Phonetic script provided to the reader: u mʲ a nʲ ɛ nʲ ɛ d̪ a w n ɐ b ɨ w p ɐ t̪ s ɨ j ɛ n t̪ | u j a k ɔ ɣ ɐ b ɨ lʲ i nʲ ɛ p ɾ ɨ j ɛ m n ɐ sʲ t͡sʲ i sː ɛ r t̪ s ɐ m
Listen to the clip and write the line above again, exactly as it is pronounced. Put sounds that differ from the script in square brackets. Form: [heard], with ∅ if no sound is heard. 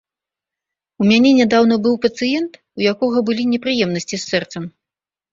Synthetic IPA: u mʲ a nʲ ɛ nʲ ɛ d̪ a w n ɐ b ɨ w p ɐ t̪ s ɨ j ɛ n t̪ | u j a k ɔ ɣ ɐ b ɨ lʲ i nʲ ɛ p ɾ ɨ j ɛ m n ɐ sʲ t͡sʲ i sː ɛ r t̪ s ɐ m